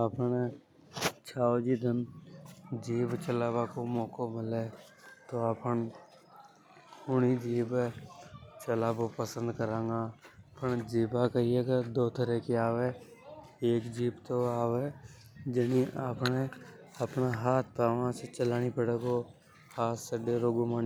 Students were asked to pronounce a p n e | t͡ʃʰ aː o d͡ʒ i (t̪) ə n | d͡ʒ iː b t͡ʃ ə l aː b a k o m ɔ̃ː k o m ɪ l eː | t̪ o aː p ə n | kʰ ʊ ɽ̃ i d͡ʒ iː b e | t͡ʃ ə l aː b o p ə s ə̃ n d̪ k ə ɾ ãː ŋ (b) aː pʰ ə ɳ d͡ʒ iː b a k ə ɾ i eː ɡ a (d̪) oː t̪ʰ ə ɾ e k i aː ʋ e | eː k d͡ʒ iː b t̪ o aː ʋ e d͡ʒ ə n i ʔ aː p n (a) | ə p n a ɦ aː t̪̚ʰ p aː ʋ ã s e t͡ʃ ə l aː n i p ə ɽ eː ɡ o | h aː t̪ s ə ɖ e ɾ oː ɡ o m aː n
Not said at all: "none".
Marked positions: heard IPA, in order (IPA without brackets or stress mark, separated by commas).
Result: d̪, ɡ, d̪, e